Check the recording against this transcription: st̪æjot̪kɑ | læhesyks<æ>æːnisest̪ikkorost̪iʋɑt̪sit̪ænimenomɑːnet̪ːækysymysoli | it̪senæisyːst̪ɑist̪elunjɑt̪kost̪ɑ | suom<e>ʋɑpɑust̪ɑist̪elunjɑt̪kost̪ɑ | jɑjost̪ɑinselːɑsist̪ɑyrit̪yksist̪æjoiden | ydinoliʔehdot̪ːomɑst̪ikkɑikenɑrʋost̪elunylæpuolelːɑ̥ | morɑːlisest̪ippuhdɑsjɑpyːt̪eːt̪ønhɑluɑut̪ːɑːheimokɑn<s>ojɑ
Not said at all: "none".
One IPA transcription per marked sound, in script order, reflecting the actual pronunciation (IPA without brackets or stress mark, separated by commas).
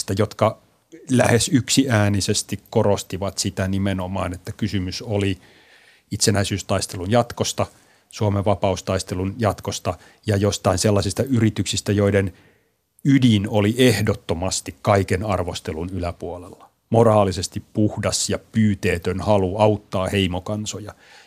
i, e, s